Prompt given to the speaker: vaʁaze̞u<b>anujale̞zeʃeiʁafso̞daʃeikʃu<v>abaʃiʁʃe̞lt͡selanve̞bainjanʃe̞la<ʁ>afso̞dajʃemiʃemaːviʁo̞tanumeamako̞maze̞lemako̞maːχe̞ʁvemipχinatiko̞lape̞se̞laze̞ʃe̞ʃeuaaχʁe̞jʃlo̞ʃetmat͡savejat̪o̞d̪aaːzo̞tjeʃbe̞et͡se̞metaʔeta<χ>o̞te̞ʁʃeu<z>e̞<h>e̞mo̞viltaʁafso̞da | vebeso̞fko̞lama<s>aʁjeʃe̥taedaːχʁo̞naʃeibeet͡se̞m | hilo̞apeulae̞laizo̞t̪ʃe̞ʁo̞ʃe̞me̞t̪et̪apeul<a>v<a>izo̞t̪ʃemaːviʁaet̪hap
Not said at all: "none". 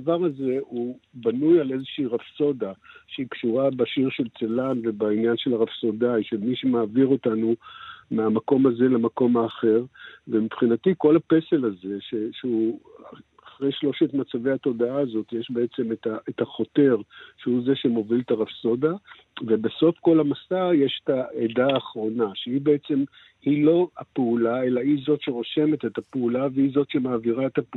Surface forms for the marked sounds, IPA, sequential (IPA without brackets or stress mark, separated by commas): b, ʁ, ʁ, χ, z, ʃ, s, a, e